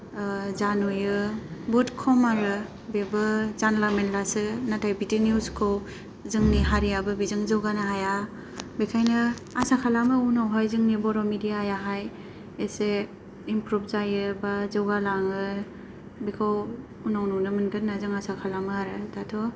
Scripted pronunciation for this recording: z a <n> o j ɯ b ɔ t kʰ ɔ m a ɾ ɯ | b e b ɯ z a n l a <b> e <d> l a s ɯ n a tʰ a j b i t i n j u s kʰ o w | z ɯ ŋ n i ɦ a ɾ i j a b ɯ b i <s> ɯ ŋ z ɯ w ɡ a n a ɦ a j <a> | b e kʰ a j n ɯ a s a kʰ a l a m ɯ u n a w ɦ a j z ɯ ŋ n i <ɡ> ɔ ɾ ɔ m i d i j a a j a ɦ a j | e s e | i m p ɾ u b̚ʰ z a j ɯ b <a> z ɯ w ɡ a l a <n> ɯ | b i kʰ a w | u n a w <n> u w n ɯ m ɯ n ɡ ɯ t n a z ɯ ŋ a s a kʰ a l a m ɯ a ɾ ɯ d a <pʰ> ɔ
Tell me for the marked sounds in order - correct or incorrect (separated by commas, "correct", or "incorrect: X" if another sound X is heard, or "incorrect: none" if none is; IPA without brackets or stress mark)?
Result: correct, incorrect: m, incorrect: n, incorrect: z, correct, incorrect: b, correct, incorrect: ŋ, correct, incorrect: tʰ